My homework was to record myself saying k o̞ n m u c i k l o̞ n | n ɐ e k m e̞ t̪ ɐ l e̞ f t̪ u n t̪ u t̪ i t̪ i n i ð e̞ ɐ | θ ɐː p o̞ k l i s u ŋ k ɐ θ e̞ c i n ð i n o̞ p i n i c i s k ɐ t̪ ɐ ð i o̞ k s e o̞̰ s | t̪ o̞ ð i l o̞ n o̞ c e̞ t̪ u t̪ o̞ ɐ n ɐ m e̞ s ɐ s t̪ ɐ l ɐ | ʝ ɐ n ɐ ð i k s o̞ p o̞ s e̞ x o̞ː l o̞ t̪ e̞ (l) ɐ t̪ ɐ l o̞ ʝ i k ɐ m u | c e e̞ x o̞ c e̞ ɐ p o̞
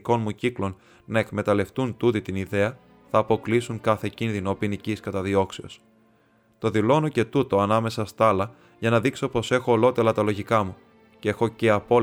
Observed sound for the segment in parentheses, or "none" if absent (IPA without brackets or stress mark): l